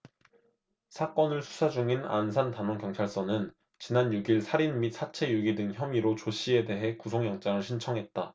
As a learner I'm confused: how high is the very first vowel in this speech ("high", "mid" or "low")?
low